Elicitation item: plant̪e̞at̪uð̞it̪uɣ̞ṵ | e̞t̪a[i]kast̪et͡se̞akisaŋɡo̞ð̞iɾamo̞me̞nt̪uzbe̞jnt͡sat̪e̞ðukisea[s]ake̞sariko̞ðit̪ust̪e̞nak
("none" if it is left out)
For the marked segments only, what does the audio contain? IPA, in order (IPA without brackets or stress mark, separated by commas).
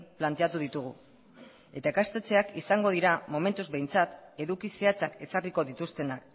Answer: e, t͡s